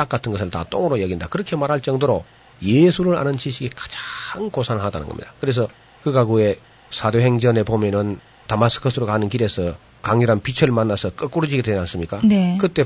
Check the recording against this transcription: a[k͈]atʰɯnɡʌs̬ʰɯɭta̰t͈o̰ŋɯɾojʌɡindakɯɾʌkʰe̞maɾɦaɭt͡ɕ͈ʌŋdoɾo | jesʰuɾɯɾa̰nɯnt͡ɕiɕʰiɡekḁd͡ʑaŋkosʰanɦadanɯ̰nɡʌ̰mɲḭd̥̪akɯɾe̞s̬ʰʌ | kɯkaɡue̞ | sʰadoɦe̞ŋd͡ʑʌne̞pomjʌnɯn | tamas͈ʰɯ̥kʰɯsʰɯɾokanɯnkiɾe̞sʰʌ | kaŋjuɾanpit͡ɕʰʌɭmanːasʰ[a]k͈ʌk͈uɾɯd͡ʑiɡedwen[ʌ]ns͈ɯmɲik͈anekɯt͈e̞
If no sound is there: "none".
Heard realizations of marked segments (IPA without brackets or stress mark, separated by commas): k͈, ʌ, a